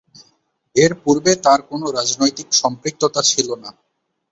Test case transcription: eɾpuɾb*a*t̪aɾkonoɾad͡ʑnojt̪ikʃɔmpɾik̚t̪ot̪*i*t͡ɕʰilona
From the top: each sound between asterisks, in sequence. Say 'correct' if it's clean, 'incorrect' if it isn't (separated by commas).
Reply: incorrect, incorrect